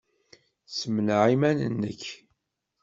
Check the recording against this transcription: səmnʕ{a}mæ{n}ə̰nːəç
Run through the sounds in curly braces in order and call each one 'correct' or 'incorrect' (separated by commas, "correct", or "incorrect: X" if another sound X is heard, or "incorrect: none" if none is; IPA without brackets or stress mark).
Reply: incorrect: i, correct